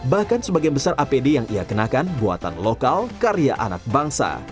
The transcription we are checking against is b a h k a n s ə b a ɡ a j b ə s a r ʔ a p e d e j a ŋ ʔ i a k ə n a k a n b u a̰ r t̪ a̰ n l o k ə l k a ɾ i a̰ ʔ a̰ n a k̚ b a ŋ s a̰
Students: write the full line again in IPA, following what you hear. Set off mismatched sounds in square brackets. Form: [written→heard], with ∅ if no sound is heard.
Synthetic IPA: b a h k a n s ə b a ɡ a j b ə s a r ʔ a p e d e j a ŋ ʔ i a k ə n a k a n b u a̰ [r→∅] t̪ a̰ n l o k [ə→a] l k a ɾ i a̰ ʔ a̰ n a k̚ b a ŋ s a̰